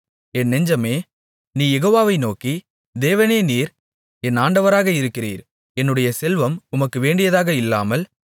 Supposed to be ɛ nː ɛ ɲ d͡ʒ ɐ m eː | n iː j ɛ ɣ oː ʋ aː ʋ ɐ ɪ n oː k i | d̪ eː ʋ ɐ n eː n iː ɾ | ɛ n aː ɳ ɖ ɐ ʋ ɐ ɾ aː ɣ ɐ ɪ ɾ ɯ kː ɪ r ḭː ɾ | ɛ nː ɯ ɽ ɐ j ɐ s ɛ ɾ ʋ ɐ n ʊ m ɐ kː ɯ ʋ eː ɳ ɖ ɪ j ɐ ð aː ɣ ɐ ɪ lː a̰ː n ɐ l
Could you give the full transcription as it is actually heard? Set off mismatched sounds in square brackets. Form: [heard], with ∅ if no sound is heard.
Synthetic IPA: ɛ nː ɛ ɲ d͡ʒ ɐ m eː | n iː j ɛ ɣ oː ʋ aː ʋ ɐ ɪ n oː k i | d̪ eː ʋ ɐ n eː n iː ɾ | ɛ n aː ɳ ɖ ɐ ʋ ɐ ɾ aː ɣ ɐ ɪ ɾ ɯ kː ɪ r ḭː ɾ | ɛ nː ɯ ɽ ɐ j ɐ s ɛ [l] ʋ ɐ [m] ʊ m ɐ kː ɯ ʋ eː ɳ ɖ ɪ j ɐ ð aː ɣ ɐ ɪ lː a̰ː [m] ɐ l

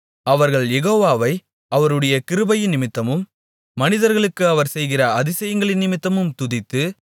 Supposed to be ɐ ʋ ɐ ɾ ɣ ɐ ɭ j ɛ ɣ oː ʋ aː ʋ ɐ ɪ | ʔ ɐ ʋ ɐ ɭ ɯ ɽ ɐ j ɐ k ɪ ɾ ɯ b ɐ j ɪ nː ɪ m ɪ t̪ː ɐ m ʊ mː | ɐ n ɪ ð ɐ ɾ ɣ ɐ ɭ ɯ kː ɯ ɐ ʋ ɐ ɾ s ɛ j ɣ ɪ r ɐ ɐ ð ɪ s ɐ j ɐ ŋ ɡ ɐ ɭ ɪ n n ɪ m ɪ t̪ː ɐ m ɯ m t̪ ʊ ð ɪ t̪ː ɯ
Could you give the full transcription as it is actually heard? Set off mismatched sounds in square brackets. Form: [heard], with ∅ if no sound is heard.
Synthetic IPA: ɐ ʋ ɐ ɾ ɣ ɐ ɭ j ɛ ɣ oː ʋ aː ʋ ɐ ɪ | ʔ ɐ ʋ ɐ [ɾ] ɯ ɽ ɐ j ɐ k ɪ ɾ ɯ b ɐ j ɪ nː ɪ m ɪ t̪ː ɐ m [ɯ] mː | ɐ n ɪ ð ɐ ɾ ɣ ɐ ɭ ɯ kː ɯ ɐ ʋ ɐ ɾ s ɛ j ɣ ɪ r ɐ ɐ ð ɪ s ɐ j ɐ ŋ ɡ ɐ ɭ ɪ n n ɪ m ɪ t̪ː ɐ m ɯ m t̪ ʊ ð ɪ t̪ː ɯ

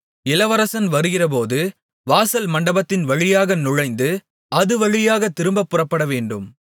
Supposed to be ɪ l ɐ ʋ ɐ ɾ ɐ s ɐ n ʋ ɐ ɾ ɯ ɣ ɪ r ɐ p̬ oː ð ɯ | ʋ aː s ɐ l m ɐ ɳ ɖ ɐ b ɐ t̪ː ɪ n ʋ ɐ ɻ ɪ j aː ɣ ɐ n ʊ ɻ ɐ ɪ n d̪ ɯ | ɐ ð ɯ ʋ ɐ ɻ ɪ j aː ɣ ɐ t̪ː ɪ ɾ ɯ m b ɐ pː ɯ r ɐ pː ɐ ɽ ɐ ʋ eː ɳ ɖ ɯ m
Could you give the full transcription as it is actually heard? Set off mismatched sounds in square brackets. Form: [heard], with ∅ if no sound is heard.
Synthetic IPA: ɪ l ɐ ʋ ɐ ɾ ɐ s ɐ n ʋ ɐ ɾ ɯ ɣ ɪ r ɐ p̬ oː ð ɯ | ʋ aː s ɐ l m ɐ ɳ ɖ ɐ b ɐ t̪ː ɪ n ʋ ɐ ɻ ɪ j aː ɣ ɐ n ʊ ɻ ɐ ɪ n d̪ ɯ | ɐ ð ɯ ʋ ɐ ɻ ɪ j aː ɣ ɐ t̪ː ɪ ɾ ɯ m b ɐ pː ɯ r ɐ pː ɐ ɽ ɐ ʋ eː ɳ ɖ ɯ m

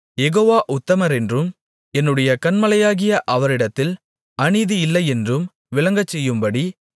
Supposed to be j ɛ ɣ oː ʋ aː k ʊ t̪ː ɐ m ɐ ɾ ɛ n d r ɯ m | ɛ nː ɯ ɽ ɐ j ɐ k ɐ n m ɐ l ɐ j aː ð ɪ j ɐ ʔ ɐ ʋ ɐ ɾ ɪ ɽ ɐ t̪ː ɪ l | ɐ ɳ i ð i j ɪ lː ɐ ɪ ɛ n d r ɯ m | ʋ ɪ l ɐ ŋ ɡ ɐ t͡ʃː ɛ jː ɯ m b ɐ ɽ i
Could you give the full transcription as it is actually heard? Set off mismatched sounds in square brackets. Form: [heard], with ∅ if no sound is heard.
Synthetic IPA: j ɛ ɣ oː ʋ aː [ʔ] ʊ t̪ː ɐ m ɐ ɾ ɛ n d r ɯ m | ɛ nː ɯ ɽ ɐ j ɐ k ɐ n m ɐ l ɐ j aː [ɣ] ɪ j ɐ ʔ ɐ ʋ ɐ ɾ ɪ ɽ ɐ t̪ː ɪ l | ɐ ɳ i ð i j ɪ lː ɐ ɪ ɛ n d r ɯ m | ʋ ɪ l ɐ ŋ ɡ ɐ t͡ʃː ɛ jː ɯ m b ɐ ɽ i

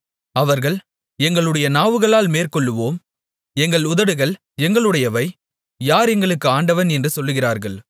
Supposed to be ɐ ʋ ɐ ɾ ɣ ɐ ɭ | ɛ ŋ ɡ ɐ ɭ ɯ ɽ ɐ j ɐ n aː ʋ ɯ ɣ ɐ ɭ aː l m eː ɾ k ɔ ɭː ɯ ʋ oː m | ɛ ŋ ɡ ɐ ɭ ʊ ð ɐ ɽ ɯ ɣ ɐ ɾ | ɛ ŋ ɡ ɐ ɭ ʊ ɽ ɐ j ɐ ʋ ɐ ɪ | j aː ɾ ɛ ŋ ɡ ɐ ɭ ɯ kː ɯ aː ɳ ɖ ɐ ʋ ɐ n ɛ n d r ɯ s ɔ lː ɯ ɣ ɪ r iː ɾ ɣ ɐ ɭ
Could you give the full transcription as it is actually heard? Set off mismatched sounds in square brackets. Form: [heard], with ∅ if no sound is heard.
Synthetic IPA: ɐ ʋ ɐ ɾ ɣ ɐ ɭ | ɛ ŋ ɡ ɐ ɭ ɯ ɽ ɐ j ɐ n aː ʋ ɯ ɣ ɐ ɭ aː l m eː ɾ k ɔ ɭː ɯ ʋ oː m | ɛ ŋ ɡ ɐ ɭ ʊ ð ɐ ɽ ɯ ɣ ɐ [ɭ] | ɛ ŋ ɡ ɐ ɭ [ɯ] ɽ ɐ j ɐ ʋ ɐ ɪ | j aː ɾ ɛ ŋ ɡ ɐ ɭ ɯ kː ɯ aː ɳ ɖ ɐ ʋ ɐ n ɛ n d r ɯ s ɔ lː ɯ ɣ ɪ r [aː] ɾ ɣ ɐ ɭ

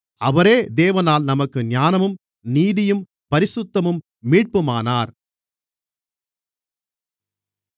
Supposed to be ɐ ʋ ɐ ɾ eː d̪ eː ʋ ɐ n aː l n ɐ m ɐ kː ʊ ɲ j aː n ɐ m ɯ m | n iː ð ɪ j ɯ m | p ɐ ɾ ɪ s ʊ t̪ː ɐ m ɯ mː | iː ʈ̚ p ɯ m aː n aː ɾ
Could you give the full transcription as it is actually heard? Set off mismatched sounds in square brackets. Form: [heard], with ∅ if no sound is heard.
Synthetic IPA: ɐ ʋ ɐ ɾ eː d̪ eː ʋ ɐ n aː l n ɐ m ɐ kː [ɯ] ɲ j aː n ɐ m ɯ m | n iː ð ɪ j ɯ m | p ɐ ɾ ɪ s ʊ t̪ː ɐ m ɯ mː | iː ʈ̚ p ɯ m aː n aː ɾ

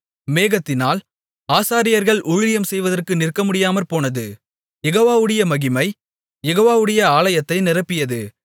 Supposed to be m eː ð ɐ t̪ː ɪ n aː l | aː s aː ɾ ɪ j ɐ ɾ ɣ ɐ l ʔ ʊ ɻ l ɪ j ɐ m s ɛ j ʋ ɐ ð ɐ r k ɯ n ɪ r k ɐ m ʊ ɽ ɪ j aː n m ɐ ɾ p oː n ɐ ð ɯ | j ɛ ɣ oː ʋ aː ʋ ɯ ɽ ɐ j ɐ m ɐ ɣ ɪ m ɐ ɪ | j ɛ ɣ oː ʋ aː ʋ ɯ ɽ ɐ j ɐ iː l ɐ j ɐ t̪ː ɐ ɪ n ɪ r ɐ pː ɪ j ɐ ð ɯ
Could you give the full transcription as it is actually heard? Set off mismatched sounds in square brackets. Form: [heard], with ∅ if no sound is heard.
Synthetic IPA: m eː [ɣ] ɐ t̪ː ɪ n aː l | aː s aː ɾ ɪ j ɐ ɾ ɣ ɐ [ɭ] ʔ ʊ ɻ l ɪ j ɐ m s ɛ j ʋ ɐ ð ɐ r k ɯ n ɪ r k ɐ m ʊ ɽ ɪ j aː [∅] m ɐ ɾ p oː n ɐ ð ɯ | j ɛ ɣ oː ʋ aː ʋ ɯ ɽ ɐ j ɐ m ɐ ɣ ɪ m ɐ ɪ | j ɛ ɣ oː ʋ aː ʋ ɯ ɽ ɐ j ɐ [aː] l ɐ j ɐ t̪ː ɐ ɪ n ɪ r ɐ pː ɪ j ɐ ð ɯ

